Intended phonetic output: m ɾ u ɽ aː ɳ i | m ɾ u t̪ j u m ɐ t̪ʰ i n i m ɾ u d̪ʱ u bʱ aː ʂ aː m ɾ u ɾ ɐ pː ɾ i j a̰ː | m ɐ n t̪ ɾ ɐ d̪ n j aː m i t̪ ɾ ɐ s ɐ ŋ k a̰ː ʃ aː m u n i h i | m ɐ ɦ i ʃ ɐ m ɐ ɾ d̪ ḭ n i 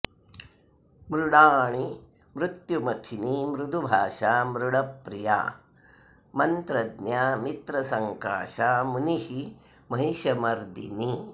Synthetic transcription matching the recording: m ɾ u ɽ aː ɳ i | m ɾ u t̪ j u m ɐ t̪ʰ i n i m ɾ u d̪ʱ u bʱ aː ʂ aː m ɾ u ɽ ɐ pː ɾ i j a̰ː | m ɐ n t̪ ɾ ɐ d̪ n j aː m i t̪ ɾ ɐ s ɐ ŋ k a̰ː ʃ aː m u n i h i | m ɐ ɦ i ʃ ɐ m ɐ ɾ d̪ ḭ n i

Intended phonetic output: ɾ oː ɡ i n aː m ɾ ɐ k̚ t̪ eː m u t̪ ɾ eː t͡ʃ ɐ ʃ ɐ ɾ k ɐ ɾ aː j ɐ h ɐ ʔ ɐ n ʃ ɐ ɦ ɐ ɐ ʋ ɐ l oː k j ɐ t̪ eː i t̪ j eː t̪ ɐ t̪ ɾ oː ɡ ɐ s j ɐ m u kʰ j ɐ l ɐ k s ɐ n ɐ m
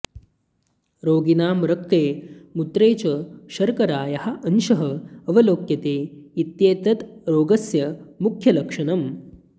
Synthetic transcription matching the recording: ɾ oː ɡ i n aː m ɾ ɐ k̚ t̪ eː m u t̪ ɾ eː t͡ʃ ɐ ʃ ɐ ɾ k ɐ ɾ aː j ɐ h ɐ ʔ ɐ n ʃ ɐ ɦ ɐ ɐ ʋ ɐ l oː k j ɐ t̪ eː i t̪ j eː t̪ ɐ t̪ ɾ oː ɡ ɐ s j ɐ m u kʰ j ɐ l ɐ k ʂ ɐ n ɐ m

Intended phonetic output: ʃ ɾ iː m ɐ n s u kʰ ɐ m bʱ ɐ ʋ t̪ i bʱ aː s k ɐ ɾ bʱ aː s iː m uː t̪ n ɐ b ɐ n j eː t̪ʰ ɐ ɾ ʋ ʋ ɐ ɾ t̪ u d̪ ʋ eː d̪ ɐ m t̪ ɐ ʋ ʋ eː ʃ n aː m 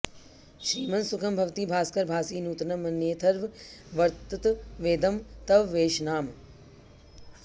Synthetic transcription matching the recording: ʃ ɾ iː m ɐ n s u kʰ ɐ m bʱ ɐ ʋ t̪ i bʱ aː s k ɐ ɾ bʱ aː s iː n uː t̪ n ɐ m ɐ n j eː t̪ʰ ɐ ɾ ʋ ʋ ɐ ɾ t̪ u t̪ ʋ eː d̪ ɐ m t̪ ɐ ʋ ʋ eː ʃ n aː m

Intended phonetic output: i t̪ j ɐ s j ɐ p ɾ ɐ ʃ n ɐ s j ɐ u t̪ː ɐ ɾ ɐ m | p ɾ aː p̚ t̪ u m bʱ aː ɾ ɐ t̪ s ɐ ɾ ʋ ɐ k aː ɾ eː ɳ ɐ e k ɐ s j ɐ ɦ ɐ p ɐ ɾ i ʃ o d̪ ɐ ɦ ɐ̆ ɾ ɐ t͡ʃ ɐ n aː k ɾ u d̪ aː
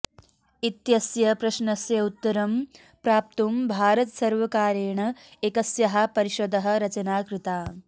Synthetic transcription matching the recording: i t̪ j ɐ s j ɐ p ɾ ɐ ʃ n ɐ s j ɐ u t̪ː ɐ ɾ ɐ m | p ɾ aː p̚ t̪ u m bʱ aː ɾ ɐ t̪ s ɐ ɾ ʋ ɐ k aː ɾ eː ɳ ɐ e k ɐ s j ɐ ɦ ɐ p ɐ ɾ i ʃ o d̪ ɐ ɦ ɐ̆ ɾ ɐ t͡ʃ ɐ n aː k ɾ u t̪ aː

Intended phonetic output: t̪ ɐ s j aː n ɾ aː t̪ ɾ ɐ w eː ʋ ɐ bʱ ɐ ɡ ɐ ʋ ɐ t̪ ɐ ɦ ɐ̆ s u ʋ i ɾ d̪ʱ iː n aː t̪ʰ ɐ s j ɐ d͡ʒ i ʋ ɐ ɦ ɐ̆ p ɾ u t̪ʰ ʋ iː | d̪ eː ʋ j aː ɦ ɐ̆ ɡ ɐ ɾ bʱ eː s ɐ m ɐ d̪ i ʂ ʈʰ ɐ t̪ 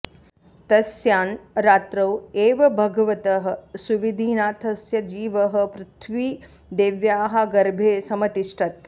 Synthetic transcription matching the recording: t̪ ɐ s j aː n ɾ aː t̪ ɾ ɐ w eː ʋ ɐ bʱ ɐ ɡ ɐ ʋ ɐ t̪ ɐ ɦ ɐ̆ s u ʋ i d̪ʱ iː n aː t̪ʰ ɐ s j ɐ d͡ʒ iː ʋ ɐ ɦ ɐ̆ p ɾ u t̪ʰ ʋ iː | d̪ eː ʋ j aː ɦ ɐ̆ ɡ ɐ ɾ bʱ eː s ɐ m ɐ t̪ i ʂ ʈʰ ɐ t̪

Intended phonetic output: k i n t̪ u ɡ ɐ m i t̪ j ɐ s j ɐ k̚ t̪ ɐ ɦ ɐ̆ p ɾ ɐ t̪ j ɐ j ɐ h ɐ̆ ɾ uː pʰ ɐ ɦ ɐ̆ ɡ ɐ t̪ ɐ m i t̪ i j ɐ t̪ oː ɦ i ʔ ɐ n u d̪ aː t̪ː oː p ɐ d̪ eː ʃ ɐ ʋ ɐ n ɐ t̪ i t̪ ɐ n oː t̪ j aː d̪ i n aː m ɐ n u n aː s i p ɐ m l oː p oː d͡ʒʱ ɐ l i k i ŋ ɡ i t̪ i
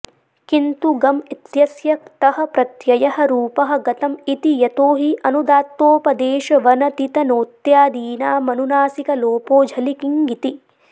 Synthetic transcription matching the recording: k i n t̪ u ɡ ɐ m i t̪ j ɐ s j ɐ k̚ t̪ ɐ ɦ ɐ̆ p ɾ ɐ t̪ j ɐ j ɐ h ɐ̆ ɾ uː p ɐ ɦ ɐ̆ ɡ ɐ t̪ ɐ m i t̪ i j ɐ t̪ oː ɦ i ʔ ɐ n u d̪ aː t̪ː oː p ɐ d̪ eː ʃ ɐ ʋ ɐ n ɐ t̪ i t̪ ɐ n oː t̪ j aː d̪ iː n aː m ɐ n u n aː s i k ɐ l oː p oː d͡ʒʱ ɐ l i k i ŋ ɡ i t̪ i

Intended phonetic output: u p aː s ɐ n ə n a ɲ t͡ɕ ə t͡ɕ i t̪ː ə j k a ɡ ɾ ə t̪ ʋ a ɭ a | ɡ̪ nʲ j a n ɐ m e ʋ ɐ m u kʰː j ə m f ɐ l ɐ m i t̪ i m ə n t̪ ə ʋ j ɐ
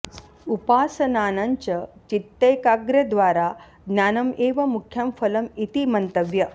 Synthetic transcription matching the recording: u p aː s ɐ n a n a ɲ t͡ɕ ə t͡ɕ i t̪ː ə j k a ɡ ɾ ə d̪ ʋ a ɾ a | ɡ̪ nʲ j a n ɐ m e ʋ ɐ m u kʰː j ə m f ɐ l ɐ m i t̪ i m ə n t̪ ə ʋ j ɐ

